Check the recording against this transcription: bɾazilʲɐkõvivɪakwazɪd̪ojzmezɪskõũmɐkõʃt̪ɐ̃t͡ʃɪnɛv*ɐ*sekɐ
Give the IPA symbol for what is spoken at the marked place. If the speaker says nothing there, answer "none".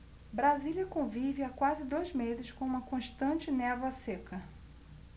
ɐ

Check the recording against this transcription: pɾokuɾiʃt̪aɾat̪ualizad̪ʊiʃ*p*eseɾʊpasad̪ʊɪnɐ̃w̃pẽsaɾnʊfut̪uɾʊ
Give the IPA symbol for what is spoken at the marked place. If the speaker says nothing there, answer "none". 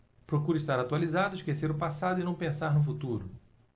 k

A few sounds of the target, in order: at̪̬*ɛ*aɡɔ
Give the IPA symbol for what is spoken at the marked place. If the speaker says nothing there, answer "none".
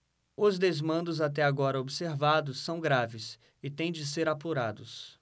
ɛ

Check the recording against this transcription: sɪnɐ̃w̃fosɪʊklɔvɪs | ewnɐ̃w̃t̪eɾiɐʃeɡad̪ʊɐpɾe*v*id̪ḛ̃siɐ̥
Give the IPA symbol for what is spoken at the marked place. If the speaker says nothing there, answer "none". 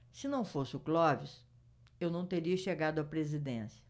z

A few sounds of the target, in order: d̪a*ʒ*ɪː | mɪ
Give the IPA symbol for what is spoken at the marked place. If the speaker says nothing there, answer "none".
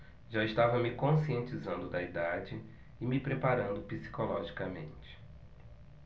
d͡ʒ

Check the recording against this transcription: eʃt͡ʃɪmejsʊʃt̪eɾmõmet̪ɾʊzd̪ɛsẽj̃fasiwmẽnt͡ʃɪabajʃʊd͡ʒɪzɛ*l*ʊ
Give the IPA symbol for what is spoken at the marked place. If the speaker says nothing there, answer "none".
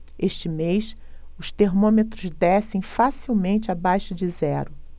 ɾ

